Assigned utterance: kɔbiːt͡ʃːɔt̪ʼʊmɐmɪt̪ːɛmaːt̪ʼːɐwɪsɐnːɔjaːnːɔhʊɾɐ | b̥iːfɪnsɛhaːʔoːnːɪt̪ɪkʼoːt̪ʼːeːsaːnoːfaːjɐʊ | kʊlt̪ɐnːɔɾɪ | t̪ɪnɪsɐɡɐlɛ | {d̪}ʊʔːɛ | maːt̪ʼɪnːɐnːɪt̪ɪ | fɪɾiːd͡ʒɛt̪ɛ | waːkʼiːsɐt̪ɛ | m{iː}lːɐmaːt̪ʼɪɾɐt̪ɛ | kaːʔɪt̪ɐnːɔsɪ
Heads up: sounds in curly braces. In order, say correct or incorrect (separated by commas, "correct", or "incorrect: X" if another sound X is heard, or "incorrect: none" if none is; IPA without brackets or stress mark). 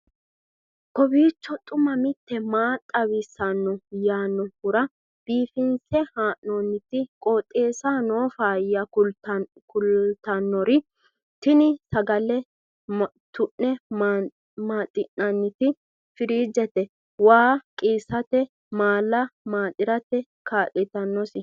incorrect: t̪, incorrect: aː